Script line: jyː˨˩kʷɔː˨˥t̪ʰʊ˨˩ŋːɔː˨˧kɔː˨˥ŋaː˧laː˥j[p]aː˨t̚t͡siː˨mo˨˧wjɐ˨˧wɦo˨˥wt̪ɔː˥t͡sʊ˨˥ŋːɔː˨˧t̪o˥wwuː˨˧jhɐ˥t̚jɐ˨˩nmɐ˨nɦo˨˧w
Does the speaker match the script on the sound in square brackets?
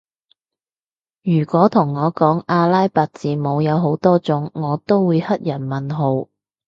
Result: yes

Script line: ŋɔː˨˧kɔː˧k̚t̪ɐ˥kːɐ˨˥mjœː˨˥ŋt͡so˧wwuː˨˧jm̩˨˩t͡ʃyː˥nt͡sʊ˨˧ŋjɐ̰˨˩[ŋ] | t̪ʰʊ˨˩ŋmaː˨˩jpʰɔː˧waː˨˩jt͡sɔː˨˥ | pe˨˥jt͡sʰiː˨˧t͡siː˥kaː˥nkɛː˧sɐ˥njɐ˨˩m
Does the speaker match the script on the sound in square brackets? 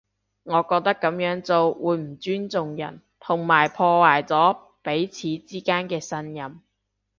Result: no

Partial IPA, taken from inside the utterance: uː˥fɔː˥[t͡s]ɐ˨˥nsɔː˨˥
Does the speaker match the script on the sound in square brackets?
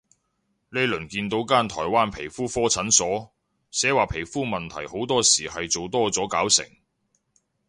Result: no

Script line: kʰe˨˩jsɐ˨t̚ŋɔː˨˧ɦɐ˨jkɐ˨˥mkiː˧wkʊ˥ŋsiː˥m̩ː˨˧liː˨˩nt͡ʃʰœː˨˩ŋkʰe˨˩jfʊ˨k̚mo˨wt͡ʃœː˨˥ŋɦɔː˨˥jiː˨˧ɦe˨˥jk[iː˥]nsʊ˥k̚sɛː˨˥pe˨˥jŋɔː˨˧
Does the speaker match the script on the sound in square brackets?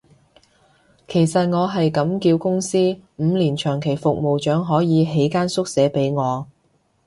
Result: no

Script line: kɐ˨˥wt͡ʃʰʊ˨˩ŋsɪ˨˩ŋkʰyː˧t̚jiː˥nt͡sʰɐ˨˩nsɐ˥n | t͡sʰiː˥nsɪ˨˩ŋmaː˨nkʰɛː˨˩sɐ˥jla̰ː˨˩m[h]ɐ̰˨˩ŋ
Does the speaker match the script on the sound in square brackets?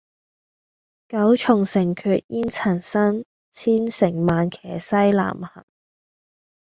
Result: yes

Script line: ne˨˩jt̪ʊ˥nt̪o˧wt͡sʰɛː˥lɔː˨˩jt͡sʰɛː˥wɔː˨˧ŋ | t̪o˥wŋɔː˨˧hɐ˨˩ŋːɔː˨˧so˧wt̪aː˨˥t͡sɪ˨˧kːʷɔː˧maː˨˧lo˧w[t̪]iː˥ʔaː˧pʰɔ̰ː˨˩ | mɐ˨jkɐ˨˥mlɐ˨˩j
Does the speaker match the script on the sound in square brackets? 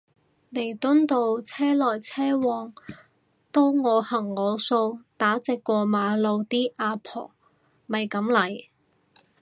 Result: yes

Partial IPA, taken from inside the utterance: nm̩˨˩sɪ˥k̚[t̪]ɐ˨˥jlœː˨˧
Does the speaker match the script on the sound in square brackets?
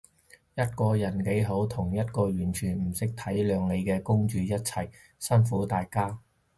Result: no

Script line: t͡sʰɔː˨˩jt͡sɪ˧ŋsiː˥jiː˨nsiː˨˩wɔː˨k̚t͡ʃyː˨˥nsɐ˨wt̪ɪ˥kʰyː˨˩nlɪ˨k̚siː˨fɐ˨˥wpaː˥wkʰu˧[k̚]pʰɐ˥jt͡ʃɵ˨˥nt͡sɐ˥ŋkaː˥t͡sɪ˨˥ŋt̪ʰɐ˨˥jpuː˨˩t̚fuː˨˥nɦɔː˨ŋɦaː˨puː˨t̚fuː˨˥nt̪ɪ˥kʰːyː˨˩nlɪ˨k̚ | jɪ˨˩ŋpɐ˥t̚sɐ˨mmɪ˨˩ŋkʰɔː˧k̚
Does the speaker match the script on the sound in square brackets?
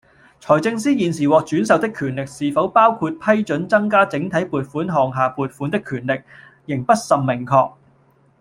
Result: no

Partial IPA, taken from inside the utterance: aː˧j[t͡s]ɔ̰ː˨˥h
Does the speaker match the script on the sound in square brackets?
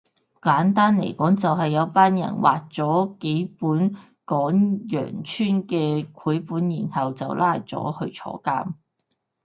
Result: yes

